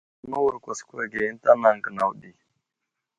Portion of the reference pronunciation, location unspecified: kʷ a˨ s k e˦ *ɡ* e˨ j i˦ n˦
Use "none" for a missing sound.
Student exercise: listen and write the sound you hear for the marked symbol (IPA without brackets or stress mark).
ɡ